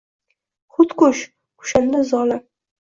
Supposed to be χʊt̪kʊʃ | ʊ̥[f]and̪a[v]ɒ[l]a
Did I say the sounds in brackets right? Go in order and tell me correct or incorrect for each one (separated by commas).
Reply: incorrect, incorrect, correct